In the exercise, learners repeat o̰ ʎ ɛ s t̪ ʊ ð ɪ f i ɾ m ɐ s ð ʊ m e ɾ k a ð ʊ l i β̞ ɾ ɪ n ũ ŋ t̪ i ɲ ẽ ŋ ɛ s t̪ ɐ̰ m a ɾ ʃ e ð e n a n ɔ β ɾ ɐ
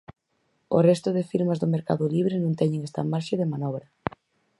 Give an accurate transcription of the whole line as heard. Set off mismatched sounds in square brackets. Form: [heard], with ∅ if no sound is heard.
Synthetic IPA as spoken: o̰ [r] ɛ s t̪ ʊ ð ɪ f i ɾ m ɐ [z] ð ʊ m e ɾ k a ð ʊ l i β̞ ɾ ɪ n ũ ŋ t̪ [ɛ] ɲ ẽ ŋ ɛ s t̪ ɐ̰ m a ɾ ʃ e ð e [m] a n ɔ β ɾ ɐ